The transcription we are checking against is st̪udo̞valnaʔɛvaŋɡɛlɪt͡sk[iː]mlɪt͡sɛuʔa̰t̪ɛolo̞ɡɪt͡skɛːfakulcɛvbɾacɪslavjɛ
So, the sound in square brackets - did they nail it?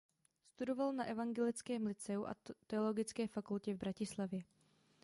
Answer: no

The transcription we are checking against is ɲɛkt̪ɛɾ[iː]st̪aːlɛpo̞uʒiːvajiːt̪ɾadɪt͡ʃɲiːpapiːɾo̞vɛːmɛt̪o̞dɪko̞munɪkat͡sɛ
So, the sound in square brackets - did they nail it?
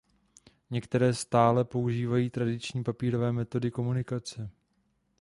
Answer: no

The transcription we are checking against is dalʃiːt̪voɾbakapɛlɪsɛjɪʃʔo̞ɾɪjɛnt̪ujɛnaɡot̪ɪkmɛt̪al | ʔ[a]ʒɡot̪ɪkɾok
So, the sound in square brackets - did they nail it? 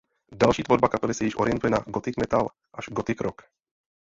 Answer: yes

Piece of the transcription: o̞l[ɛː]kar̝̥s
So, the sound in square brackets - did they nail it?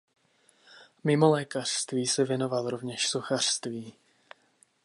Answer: yes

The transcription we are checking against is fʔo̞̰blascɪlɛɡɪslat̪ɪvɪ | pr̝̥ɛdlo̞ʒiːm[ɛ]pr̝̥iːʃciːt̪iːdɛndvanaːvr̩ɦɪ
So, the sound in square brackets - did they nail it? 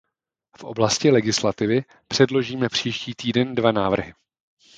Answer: yes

